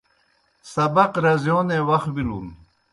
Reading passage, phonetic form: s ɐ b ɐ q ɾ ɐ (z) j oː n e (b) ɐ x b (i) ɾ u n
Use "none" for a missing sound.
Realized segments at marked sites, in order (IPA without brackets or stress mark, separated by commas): z, w, i